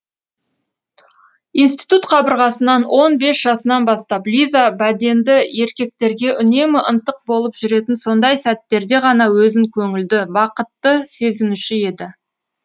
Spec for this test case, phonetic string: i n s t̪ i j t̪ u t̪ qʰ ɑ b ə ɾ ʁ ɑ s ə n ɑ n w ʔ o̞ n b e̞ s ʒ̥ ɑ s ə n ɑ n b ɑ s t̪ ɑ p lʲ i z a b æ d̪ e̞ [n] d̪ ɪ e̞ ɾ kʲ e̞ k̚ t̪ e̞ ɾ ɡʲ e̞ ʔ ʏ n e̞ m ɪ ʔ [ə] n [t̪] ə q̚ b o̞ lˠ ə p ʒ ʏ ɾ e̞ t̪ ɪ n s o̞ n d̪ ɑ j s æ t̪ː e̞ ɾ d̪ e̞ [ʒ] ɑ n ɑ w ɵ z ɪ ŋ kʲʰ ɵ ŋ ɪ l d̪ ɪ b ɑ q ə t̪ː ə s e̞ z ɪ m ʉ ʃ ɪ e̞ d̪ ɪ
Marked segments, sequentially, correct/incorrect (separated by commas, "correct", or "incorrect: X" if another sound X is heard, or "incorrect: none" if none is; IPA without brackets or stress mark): correct, correct, correct, incorrect: ʁ